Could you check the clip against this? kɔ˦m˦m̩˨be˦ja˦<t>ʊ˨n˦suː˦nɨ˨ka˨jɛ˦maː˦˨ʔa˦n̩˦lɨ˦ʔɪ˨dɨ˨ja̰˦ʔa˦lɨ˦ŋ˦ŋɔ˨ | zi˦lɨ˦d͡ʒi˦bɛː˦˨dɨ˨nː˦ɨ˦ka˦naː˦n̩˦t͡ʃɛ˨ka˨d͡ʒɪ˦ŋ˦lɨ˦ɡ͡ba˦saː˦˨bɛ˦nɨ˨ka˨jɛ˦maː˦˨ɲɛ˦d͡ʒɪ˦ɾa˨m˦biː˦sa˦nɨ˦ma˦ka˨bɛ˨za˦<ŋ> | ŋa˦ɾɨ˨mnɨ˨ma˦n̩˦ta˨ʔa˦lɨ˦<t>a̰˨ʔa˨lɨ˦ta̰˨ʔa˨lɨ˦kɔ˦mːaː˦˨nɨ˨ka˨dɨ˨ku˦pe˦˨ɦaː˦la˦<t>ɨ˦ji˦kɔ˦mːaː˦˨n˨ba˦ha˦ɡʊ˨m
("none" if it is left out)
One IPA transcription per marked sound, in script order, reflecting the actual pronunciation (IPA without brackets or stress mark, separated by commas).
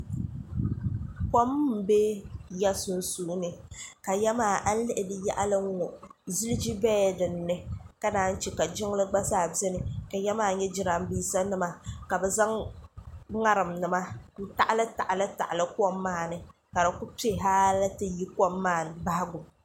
s, ŋ, t, t